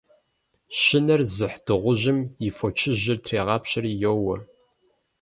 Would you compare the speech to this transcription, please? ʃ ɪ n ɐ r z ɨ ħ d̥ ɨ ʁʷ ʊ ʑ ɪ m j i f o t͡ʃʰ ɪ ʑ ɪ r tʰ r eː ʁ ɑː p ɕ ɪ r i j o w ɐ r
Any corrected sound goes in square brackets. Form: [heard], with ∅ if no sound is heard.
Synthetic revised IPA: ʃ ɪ n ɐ r z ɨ ħ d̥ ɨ ʁʷ ʊ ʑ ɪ m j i f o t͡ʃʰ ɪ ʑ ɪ r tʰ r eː ʁ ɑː p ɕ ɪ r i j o w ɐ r